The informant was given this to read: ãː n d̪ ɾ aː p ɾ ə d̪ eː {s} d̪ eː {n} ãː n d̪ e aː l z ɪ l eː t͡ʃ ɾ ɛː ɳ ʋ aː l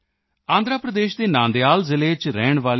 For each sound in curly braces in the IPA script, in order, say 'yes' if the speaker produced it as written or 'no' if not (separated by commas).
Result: no, yes